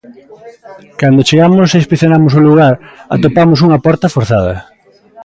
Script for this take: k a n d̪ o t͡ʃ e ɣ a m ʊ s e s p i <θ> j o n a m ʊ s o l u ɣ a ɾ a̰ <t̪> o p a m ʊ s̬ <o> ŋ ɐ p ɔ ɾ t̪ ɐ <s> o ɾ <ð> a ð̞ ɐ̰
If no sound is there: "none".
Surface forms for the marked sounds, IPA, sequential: θ, t̪, u, f, θ

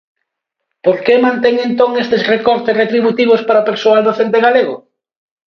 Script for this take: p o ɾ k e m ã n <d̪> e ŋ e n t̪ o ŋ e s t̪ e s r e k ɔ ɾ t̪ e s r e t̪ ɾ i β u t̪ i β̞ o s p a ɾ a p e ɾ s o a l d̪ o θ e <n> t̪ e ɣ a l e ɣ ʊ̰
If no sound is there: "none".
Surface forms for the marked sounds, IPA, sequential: t̪, n

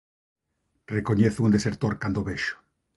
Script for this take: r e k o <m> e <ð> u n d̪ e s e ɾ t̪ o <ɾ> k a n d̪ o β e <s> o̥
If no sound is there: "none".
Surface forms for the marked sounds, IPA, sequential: ɲ, θ, ɾ, ʃ

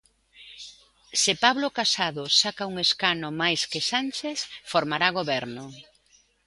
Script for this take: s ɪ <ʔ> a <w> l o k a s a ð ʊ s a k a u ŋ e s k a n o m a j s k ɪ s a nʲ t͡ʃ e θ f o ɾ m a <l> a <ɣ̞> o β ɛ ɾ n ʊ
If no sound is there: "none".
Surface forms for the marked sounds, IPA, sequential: p, β, ɾ, ɣ̞

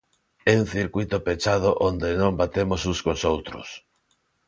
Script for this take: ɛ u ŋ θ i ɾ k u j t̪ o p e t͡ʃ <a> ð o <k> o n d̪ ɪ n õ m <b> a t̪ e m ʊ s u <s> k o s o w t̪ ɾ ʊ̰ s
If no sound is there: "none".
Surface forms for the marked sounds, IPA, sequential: a, ʔ, b, s

